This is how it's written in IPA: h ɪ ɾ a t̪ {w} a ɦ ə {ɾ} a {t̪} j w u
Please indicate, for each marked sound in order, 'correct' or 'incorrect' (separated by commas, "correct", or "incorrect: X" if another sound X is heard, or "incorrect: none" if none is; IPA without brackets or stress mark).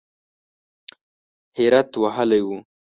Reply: correct, incorrect: l, incorrect: none